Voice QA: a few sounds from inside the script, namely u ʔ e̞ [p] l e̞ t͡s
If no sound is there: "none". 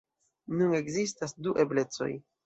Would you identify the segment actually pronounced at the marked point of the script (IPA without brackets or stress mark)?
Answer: b